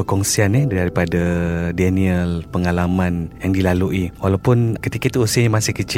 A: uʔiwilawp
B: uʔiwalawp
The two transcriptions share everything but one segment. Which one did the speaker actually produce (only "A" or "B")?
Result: B